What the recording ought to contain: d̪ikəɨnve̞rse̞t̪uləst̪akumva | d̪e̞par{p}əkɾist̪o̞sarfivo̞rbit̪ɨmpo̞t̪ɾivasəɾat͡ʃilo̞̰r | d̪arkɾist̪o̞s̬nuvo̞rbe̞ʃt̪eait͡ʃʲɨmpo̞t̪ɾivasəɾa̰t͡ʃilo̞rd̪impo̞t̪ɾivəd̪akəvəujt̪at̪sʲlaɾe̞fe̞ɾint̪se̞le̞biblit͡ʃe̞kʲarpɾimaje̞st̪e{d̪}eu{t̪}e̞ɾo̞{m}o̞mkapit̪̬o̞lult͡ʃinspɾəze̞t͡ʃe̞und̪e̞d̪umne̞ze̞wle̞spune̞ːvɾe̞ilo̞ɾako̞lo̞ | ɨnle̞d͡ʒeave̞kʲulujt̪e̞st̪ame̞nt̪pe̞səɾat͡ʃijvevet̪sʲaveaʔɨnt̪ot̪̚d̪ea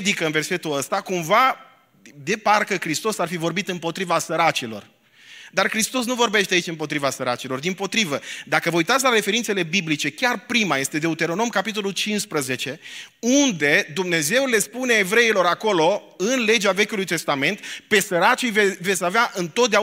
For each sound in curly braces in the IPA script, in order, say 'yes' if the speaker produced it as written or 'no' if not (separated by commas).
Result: no, yes, yes, no